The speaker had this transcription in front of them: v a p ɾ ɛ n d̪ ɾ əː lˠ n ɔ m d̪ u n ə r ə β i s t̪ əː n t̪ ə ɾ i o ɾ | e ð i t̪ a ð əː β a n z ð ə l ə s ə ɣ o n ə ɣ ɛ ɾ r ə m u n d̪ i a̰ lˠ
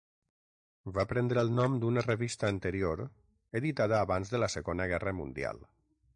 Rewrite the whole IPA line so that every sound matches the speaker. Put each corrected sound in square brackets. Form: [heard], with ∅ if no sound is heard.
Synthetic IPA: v a p ɾ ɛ n d̪ ɾ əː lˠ n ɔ m d̪ u n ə r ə β i s t̪ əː n t̪ ə ɾ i o ɾ | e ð i t̪ a ð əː β a n z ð ə l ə s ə ɣ o n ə ɣ ɛ [∅] r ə m u n d̪ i a̰ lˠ